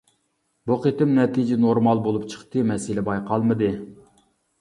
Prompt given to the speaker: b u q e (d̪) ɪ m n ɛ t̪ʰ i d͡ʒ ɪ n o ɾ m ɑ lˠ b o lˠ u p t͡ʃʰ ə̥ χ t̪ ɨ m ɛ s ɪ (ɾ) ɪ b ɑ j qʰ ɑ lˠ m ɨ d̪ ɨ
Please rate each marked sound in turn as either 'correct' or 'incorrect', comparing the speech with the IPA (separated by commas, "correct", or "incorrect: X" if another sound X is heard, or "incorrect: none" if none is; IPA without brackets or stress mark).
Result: incorrect: t̪, incorrect: l